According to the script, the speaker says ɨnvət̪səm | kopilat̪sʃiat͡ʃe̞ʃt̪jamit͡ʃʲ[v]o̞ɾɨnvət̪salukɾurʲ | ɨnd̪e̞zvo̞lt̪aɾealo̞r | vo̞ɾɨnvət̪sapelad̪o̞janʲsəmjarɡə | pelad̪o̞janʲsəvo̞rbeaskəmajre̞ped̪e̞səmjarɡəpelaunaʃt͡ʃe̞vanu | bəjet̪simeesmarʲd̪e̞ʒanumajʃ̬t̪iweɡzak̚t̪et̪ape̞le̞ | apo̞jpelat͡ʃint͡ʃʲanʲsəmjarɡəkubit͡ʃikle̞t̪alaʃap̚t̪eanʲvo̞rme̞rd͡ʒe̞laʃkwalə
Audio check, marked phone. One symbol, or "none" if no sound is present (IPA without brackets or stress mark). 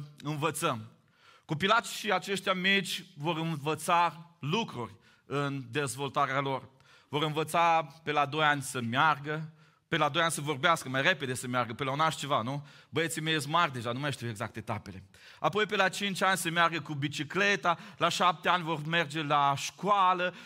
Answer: v